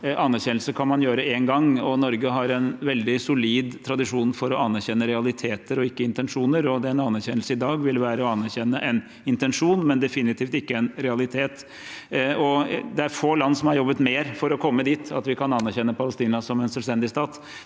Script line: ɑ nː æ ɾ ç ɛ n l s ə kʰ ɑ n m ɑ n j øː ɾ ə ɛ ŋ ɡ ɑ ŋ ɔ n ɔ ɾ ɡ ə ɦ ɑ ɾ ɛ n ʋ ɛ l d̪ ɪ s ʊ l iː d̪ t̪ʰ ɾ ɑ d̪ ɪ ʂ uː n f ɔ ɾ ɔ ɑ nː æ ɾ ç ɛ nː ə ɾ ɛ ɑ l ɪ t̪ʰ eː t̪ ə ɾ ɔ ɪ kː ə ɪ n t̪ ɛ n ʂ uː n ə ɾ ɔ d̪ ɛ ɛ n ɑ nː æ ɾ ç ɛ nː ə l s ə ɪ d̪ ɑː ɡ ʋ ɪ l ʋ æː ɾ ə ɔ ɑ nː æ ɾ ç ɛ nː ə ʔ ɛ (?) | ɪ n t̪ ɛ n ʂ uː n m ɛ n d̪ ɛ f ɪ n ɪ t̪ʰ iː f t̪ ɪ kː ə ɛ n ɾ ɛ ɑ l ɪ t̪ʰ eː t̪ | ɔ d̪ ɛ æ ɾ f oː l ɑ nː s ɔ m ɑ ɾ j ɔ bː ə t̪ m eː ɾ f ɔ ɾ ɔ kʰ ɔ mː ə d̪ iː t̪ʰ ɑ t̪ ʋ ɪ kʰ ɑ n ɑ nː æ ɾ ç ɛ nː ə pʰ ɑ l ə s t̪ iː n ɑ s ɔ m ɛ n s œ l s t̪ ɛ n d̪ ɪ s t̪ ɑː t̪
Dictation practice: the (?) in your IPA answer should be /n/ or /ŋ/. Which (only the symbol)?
n